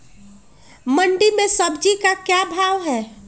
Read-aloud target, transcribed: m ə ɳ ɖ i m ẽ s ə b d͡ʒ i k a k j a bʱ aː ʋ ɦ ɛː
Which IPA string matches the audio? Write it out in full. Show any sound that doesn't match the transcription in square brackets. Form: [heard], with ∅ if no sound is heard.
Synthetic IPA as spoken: m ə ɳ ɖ i m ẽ s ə b d͡ʒ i k a k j a bʱ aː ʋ ɦ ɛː

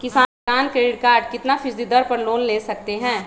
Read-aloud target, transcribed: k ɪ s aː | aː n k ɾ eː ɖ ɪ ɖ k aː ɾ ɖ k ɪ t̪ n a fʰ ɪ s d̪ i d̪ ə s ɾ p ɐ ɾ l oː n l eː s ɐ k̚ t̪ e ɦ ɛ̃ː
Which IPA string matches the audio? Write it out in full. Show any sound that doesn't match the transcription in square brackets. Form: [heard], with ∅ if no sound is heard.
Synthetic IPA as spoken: k ɪ s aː | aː n k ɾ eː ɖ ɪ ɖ k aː ɾ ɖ k ɪ t̪ n a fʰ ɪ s d̪ i d̪ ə [∅] ɾ p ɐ ɾ l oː n l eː s ɐ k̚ t̪ e ɦ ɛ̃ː

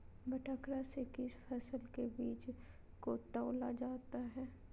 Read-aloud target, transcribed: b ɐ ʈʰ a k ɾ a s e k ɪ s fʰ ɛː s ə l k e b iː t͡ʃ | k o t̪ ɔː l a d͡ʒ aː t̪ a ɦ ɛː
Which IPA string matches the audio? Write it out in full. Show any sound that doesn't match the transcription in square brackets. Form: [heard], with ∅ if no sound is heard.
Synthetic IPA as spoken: b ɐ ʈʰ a k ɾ a s e k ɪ s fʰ ɛː s ə l k e b iː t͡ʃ | k o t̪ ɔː l a d͡ʒ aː t̪ a ɦ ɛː

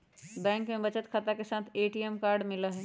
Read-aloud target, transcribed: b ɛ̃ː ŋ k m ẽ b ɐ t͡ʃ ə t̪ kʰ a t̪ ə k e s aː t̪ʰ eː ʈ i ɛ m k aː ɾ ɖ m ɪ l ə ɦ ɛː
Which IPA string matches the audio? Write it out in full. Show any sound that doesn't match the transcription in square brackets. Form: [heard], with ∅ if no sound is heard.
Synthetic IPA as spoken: b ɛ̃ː ŋ k m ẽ b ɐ t͡ʃ ə t̪ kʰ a t̪ [a] k e s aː t̪ʰ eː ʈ i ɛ m k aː ɾ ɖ m ɪ l [a] ɦ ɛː

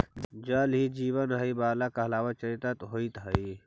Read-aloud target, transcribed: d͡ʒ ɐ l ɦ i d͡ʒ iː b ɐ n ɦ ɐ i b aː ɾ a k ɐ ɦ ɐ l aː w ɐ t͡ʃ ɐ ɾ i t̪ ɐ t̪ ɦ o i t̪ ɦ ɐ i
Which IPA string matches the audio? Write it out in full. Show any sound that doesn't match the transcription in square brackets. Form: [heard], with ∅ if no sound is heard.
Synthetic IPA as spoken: d͡ʒ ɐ l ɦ i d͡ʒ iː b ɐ n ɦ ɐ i b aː [l] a k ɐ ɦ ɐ l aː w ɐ t͡ʃ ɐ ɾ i t̪ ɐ t̪ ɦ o i t̪ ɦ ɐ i

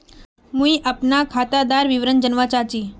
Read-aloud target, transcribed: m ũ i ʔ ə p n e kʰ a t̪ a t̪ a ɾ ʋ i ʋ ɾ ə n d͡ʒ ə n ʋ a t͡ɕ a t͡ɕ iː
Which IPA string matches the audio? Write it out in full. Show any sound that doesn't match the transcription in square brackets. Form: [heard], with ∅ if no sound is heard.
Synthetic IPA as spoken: m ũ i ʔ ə p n [a] kʰ a t̪ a [d̪] a ɾ ʋ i ʋ ɾ ə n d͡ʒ ə n ʋ a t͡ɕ a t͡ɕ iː

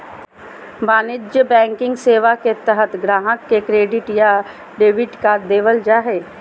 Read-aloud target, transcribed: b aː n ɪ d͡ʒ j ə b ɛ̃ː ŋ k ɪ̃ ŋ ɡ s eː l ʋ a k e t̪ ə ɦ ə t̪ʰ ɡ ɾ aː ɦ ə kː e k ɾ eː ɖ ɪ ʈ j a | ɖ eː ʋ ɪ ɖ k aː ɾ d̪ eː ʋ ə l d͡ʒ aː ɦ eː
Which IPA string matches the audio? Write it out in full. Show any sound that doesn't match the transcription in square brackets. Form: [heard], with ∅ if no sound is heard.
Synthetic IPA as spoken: b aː n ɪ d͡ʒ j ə b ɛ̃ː ŋ k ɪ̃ ŋ ɡ s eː [∅] ʋ a k e t̪ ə ɦ ə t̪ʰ ɡ ɾ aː ɦ ə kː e k ɾ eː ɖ ɪ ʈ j a | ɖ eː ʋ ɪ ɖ k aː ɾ d̪ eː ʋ ə l d͡ʒ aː ɦ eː

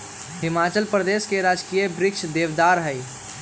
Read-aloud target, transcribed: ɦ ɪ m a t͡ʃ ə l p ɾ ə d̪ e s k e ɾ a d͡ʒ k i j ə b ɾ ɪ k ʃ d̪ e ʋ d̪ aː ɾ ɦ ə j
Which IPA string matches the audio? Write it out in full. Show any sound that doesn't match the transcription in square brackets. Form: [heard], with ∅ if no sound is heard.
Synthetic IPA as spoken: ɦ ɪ m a t͡ʃ ə l p ɾ ə d̪ e s k e ɾ a d͡ʒ k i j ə b ɾ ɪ k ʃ d̪ e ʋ d̪ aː ɾ ɦ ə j

